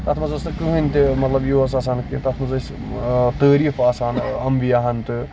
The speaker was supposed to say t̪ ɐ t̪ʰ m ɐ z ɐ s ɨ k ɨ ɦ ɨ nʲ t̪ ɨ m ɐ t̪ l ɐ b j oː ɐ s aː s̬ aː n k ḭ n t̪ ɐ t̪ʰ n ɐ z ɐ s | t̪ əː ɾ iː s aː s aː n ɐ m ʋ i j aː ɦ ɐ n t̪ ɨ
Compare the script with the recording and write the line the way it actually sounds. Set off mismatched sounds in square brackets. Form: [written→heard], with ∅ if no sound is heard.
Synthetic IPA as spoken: t̪ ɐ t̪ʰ m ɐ z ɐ s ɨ k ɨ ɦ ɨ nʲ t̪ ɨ m ɐ t̪ l ɐ b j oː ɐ s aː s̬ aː n k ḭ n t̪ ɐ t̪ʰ [n→m] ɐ z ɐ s | t̪ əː ɾ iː [s→f] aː s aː n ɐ m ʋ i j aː ɦ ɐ n t̪ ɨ

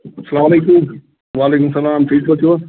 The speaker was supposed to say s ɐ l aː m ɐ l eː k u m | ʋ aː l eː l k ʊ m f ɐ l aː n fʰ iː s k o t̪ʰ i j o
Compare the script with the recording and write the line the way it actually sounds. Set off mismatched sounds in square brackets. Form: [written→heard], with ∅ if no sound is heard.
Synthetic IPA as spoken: s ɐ l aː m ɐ l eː k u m | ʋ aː l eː [l→∅] k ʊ m [f→s] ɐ l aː [n→m] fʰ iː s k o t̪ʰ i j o

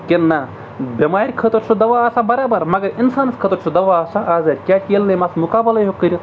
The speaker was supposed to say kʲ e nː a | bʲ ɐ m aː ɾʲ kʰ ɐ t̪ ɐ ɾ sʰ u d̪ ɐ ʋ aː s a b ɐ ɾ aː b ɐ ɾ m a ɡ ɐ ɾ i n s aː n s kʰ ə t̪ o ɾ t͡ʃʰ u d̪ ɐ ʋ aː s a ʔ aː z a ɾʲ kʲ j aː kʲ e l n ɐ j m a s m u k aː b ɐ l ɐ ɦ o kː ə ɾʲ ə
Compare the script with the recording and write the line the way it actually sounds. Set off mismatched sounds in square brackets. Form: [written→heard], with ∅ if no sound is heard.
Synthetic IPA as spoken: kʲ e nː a | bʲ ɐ m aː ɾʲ kʰ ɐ t̪ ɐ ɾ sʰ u d̪ ɐ ʋ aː s a b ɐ ɾ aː b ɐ ɾ m [a→ɐ] ɡ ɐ ɾ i n s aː n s kʰ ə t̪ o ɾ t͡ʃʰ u d̪ ɐ ʋ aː s a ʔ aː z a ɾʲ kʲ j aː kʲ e l n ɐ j m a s m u k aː b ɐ l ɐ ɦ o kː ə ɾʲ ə

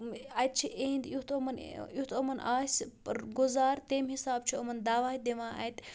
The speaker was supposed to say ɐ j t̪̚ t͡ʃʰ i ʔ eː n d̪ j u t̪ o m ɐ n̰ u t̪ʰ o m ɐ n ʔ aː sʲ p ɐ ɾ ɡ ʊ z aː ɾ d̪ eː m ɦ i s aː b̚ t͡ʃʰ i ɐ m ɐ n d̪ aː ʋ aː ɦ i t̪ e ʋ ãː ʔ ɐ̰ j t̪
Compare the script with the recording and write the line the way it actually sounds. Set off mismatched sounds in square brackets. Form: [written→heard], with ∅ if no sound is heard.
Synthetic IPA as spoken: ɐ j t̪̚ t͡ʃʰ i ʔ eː n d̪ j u t̪ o m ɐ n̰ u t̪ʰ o m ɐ n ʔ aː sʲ p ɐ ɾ ɡ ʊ z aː ɾ [d̪→t̪] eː m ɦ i s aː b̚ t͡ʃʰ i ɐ m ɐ n d̪ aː ʋ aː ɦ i [t̪→d̪] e ʋ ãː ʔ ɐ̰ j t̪

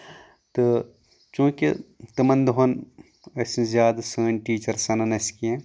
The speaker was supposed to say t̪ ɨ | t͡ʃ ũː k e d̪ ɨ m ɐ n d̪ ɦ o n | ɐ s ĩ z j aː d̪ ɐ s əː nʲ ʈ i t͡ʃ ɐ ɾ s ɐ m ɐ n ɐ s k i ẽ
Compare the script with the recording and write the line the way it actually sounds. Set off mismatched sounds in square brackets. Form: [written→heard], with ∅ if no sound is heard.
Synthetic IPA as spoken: t̪ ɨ | t͡ʃ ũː k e [d̪→t̪] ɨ m ɐ n d̪ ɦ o n | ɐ s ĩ z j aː d̪ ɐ s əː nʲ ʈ [i→iː] t͡ʃ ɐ ɾ s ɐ [m→n] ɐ n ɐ s k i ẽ

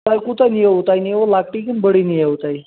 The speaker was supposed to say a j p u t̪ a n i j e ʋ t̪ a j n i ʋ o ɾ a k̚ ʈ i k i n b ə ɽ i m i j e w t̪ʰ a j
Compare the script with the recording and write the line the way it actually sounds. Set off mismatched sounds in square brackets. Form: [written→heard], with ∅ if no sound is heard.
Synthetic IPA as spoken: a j [p→k] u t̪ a n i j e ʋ t̪ a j n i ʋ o [ɾ→l] a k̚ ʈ i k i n b ə ɽ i [m→n] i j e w [t̪ʰ→t̪] a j

